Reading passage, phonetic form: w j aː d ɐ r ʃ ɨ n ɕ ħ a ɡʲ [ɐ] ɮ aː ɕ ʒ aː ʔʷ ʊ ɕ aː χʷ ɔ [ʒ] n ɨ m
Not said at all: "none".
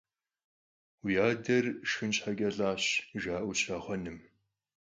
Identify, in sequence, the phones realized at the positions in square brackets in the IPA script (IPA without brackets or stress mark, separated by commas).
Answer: ɐ, none